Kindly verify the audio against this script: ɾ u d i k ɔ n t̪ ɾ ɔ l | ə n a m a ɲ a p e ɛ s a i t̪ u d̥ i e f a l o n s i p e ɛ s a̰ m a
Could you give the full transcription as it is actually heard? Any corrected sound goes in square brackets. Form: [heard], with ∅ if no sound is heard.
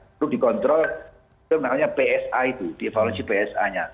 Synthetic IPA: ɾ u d i k ɔ n t̪ ɾ ɔ l | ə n a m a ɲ a p e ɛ s a i t̪ u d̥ i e f a l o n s i p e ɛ s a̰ [ɲ] a